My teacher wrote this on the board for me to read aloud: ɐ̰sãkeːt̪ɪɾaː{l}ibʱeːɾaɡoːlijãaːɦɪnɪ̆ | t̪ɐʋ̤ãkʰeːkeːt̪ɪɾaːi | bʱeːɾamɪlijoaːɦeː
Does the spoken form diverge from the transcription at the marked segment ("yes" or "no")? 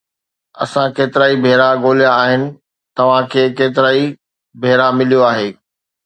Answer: yes